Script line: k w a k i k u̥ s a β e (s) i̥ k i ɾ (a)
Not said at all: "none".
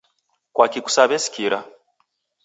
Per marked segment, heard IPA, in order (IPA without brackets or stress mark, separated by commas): s, a